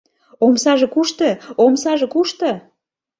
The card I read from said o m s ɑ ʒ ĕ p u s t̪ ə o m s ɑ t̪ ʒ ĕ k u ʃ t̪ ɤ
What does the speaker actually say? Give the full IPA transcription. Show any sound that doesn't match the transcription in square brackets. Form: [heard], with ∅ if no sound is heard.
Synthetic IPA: o m s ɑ ʒ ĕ [k] u [ʃ] t̪ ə o m s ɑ [∅] ʒ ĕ k u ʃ t̪ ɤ

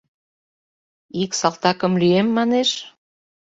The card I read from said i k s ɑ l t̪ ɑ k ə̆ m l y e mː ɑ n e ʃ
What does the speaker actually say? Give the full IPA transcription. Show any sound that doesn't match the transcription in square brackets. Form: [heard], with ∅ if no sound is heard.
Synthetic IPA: i k s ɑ l t̪ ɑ k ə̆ m l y e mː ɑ n e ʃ

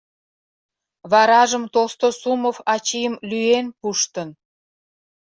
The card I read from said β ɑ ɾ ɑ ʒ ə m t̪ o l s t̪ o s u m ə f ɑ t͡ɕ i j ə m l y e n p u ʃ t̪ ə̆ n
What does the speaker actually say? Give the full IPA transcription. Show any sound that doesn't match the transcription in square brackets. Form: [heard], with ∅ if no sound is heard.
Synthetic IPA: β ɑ ɾ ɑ ʒ ə m t̪ o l s t̪ o s u m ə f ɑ t͡ɕ i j ə m l y e n p u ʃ t̪ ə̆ n

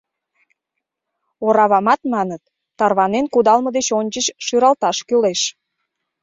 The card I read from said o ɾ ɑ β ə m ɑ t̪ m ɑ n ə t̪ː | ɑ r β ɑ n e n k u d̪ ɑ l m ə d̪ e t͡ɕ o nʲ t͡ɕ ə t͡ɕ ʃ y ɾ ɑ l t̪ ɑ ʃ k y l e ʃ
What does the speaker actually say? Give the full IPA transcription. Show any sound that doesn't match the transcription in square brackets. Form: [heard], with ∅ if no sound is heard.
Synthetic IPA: o ɾ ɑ β [ɑ] m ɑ t̪ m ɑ n ə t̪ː | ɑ r β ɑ n e n k u d̪ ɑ l m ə d̪ e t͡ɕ o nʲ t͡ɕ ə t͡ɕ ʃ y ɾ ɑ l t̪ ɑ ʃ k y l e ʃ

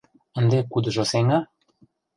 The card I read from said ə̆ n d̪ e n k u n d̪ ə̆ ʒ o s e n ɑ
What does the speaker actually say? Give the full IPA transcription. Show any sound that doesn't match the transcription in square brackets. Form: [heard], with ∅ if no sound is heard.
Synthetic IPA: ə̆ n d̪ e [∅] k u [∅] d̪ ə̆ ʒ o s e [ŋ] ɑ

